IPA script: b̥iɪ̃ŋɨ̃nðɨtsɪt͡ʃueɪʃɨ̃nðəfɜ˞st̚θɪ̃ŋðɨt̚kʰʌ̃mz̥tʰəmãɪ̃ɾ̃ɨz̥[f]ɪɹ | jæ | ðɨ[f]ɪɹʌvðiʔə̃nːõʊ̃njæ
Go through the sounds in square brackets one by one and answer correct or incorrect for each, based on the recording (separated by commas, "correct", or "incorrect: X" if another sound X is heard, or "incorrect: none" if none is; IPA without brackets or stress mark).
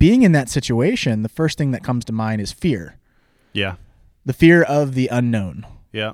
correct, correct